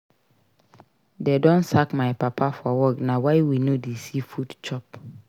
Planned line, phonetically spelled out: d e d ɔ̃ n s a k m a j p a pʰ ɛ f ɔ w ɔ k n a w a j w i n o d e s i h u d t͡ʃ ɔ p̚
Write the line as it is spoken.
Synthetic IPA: d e d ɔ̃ n s a k m a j p a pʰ a f ɔ w ɔ k n a w a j w i n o d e s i f u d t͡ʃ ɔ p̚